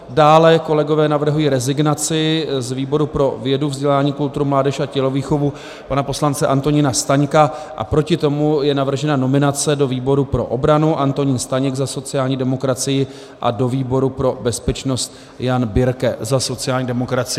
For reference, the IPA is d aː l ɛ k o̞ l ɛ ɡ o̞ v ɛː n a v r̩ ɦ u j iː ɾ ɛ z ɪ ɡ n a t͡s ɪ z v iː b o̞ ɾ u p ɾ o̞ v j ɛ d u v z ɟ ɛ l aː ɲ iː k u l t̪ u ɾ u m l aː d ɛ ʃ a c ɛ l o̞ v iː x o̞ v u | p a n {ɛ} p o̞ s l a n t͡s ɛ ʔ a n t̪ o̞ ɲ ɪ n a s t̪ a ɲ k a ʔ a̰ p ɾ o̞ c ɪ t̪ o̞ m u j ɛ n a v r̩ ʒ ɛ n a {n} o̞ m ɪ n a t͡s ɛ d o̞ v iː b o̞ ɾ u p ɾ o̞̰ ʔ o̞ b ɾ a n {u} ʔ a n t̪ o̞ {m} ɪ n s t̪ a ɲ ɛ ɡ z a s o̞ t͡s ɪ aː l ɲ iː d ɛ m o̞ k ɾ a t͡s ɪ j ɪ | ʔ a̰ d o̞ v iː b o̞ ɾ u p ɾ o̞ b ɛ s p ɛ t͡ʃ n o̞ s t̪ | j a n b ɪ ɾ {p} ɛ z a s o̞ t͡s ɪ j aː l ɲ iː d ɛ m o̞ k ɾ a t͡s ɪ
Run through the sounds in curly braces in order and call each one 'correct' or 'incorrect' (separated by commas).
incorrect, correct, correct, incorrect, incorrect